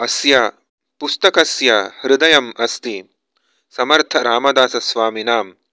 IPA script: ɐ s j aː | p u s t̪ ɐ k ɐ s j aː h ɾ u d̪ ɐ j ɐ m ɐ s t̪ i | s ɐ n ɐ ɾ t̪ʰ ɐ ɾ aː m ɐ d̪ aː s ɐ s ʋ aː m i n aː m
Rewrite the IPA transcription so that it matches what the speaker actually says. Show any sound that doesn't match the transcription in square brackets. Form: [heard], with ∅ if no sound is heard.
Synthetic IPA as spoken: ɐ s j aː | p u s t̪ ɐ k ɐ s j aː h ɾ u d̪ ɐ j ɐ m ɐ s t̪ i | s ɐ [m] ɐ ɾ t̪ʰ ɐ ɾ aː m ɐ d̪ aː s ɐ s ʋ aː m i n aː m